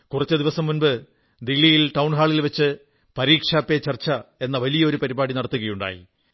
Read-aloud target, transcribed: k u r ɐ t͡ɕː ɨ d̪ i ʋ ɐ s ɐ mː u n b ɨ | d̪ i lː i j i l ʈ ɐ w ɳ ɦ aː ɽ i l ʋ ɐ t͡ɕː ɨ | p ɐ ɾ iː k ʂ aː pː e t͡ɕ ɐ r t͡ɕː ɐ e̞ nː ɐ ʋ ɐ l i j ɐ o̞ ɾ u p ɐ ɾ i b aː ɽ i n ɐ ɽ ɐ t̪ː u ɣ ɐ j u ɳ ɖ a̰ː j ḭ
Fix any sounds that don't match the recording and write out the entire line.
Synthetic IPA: k u r ɐ t͡ɕː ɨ d̪ i ʋ ɐ s ɐ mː u n b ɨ | d̪ i lː i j i l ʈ ɐ w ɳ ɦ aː ɭ i l ʋ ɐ t͡ɕː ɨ | p ɐ ɾ iː k ʂ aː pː e t͡ɕ ɐ r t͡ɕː ɐ e̞ nː ɐ ʋ ɐ l i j ɐ o̞ ɾ u p ɐ ɾ i b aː ɽ i n ɐ ɽ ɐ t̪ː u ɣ ɐ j u ɳ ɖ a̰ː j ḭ